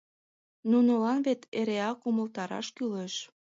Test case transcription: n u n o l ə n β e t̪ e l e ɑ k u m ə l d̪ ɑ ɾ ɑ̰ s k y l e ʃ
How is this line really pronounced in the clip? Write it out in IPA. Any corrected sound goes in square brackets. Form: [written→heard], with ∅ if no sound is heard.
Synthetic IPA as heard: n u n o l [ə→ɑ] n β e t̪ e [l→ɾ] e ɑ k u m ə l [d̪→t̪] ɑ ɾ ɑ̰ [s→ʃ] k y l e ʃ